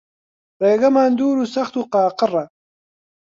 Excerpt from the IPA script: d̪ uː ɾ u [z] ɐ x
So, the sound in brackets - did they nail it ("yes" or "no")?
no